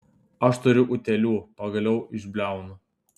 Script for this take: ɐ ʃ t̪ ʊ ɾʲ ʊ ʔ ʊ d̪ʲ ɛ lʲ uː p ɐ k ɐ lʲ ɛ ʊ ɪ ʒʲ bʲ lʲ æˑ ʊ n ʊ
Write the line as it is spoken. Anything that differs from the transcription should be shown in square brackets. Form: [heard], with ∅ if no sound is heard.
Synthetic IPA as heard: ɐ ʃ t̪ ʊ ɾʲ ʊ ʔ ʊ [t̪ʲ] ɛ lʲ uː p ɐ [ɡ] ɐ lʲ ɛ ʊ ɪ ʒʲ bʲ lʲ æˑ ʊ n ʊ